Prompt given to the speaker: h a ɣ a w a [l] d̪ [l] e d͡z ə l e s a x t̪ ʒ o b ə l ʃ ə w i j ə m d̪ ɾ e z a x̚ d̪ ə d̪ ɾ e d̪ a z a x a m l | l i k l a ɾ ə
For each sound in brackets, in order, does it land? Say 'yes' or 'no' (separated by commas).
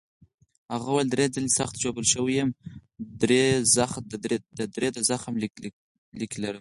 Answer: yes, no